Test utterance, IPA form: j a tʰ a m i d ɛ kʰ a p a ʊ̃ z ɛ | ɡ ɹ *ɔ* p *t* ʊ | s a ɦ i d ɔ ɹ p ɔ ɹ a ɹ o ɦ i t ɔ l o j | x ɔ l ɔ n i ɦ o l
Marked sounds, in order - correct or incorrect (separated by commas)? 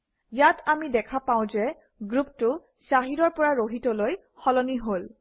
incorrect, correct